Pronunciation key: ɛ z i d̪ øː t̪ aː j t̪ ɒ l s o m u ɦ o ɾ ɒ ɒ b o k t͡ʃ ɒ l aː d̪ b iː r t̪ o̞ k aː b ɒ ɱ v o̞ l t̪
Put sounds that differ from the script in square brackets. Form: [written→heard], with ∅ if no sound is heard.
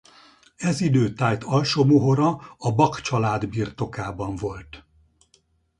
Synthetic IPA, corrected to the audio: ɛ z i d̪ øː t̪ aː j t̪ ɒ l [s→ʃ] o m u ɦ o ɾ ɒ ɒ b [o→ɒ] k t͡ʃ ɒ l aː d̪ b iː r t̪ o̞ k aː b ɒ ɱ v o̞ l t̪